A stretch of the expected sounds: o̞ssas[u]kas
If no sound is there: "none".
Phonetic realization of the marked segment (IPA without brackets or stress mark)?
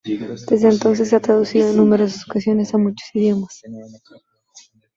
o